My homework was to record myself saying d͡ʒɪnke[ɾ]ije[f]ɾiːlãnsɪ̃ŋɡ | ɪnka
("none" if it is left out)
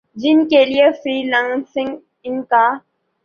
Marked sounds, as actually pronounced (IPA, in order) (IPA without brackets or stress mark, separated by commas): l, f